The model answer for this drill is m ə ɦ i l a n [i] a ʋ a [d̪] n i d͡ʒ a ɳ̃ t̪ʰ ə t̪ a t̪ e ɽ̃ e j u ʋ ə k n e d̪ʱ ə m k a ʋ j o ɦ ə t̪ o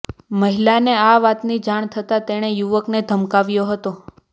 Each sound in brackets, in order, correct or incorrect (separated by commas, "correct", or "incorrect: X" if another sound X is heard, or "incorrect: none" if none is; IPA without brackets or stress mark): incorrect: e, incorrect: t̪